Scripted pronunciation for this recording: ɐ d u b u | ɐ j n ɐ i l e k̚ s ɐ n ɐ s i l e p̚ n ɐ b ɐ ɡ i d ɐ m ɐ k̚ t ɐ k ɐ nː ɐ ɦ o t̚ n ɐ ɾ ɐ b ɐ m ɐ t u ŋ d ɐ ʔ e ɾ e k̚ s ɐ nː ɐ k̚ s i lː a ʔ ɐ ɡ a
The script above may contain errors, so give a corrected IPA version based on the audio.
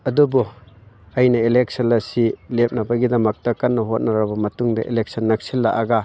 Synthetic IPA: ɐ d u b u | ɐ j n ɐ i l e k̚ s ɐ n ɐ s i l e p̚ n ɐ b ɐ ɡ i d ɐ m ɐ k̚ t ɐ k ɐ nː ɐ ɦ o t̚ n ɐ ɾ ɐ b ɐ m ɐ t u ŋ d ɐ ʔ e l e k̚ s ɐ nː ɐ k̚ s i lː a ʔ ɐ ɡ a